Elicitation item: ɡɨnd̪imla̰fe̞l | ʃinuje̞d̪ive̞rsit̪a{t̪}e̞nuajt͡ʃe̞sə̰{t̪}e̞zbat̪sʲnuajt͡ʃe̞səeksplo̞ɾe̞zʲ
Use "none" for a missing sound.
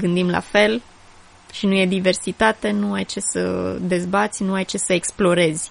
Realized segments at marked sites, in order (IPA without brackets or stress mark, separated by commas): t̪, d̪